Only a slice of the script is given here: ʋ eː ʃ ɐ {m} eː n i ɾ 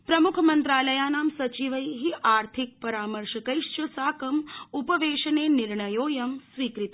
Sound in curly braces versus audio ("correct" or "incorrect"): incorrect